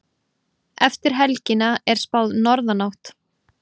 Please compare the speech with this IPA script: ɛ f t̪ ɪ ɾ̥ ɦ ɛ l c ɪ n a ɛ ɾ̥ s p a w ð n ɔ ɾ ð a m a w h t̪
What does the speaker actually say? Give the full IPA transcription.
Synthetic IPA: ɛ f t̪ ɪ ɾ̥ ɦ ɛ l c ɪ n a ɛ ɾ̥ s p a w ð n ɔ ɾ ð a n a w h t̪